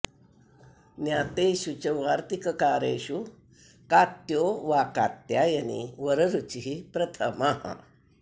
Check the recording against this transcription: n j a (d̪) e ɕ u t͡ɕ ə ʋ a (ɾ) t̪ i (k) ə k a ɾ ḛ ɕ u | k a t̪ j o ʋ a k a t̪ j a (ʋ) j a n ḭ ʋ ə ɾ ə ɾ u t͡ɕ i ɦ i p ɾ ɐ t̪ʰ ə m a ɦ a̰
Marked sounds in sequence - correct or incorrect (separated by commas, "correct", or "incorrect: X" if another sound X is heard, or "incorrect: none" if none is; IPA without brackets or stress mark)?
incorrect: t̪, correct, correct, incorrect: none